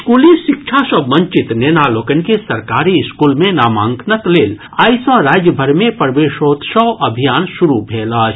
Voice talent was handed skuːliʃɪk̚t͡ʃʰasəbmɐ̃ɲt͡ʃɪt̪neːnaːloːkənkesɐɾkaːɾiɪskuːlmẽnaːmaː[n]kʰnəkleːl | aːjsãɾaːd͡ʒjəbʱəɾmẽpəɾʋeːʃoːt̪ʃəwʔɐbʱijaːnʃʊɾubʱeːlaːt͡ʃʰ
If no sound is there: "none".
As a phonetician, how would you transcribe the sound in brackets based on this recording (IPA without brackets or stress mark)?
ŋ